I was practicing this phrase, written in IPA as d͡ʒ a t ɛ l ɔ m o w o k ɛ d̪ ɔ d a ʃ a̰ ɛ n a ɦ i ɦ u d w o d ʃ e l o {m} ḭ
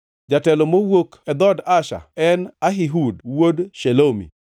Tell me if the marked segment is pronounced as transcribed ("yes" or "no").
yes